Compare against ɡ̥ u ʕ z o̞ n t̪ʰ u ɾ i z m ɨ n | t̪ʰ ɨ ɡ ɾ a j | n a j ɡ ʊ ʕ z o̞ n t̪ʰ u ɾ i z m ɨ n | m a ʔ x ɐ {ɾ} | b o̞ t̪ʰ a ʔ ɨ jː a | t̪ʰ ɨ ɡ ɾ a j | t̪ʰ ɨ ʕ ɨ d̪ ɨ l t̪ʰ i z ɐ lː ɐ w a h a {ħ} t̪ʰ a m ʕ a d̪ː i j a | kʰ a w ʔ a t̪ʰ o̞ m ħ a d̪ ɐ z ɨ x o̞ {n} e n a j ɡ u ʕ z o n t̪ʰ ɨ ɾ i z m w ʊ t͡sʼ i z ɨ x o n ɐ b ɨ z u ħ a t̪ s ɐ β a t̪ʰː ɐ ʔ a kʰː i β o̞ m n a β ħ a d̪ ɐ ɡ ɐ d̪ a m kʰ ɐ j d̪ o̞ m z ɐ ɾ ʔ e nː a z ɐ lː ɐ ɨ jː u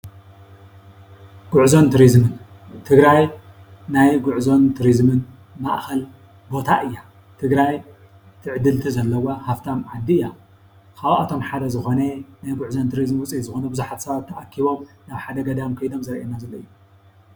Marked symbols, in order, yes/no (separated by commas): no, no, yes